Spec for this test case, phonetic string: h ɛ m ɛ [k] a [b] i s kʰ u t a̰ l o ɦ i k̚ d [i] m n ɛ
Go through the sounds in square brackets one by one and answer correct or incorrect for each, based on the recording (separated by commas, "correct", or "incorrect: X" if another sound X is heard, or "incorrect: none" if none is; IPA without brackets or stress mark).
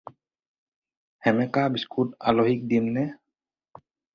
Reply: correct, correct, correct